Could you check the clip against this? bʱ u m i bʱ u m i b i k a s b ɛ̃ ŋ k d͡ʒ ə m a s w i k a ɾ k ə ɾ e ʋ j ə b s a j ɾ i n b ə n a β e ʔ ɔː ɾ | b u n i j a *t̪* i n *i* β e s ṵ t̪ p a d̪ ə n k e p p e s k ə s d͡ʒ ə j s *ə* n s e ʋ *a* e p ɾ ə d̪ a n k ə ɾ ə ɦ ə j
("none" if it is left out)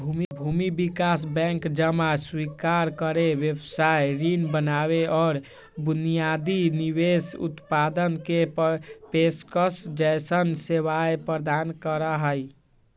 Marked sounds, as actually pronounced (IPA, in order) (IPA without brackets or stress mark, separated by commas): d̪, i, ə, a